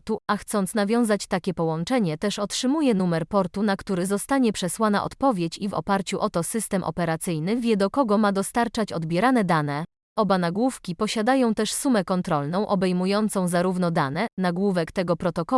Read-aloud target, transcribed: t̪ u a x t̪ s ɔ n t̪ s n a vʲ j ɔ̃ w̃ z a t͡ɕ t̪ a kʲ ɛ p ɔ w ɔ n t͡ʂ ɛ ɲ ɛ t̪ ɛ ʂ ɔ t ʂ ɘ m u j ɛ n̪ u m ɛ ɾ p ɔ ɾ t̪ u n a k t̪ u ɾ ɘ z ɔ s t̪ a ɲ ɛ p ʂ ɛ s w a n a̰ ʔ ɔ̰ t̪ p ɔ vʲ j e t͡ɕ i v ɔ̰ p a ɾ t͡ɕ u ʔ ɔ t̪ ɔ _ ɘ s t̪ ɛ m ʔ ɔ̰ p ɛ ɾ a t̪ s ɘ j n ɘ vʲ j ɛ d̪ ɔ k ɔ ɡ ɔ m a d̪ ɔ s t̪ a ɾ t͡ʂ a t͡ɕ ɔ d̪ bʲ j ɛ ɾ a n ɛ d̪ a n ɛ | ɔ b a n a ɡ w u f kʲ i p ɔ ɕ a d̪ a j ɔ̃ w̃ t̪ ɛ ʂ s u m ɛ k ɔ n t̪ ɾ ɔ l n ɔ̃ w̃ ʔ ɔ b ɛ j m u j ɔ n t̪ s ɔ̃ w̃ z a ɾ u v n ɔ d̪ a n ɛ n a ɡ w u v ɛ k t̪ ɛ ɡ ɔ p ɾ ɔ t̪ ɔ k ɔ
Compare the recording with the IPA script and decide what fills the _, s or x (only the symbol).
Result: s